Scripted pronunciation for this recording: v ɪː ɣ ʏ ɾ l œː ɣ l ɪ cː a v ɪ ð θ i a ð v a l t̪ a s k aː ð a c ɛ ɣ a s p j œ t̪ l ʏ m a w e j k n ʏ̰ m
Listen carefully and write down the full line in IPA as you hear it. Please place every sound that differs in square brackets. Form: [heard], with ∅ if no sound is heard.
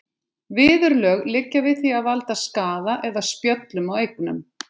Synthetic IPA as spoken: v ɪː [ð] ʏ ɾ l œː ɣ l ɪ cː a v ɪ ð θ i a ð v a l t̪ a s k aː ð a [ʔ] ɛ [ð] a s p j œ t̪ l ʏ m a w e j k n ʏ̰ m